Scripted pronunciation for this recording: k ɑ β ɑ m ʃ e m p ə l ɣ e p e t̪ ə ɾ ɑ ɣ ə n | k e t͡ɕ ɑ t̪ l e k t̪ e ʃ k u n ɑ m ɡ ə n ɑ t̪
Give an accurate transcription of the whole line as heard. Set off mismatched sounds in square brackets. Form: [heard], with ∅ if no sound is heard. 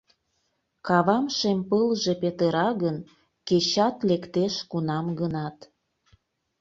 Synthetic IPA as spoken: k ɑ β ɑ m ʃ e m p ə l [ʒ] e p e t̪ ə ɾ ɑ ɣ ə n | k e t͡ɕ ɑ t̪ l e k t̪ e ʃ k u n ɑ m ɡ ə n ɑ t̪